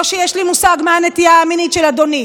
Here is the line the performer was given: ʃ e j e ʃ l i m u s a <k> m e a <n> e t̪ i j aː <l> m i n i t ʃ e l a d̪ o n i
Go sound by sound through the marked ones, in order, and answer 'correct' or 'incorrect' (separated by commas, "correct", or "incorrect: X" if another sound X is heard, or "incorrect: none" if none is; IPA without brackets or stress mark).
incorrect: ɡ, correct, incorrect: none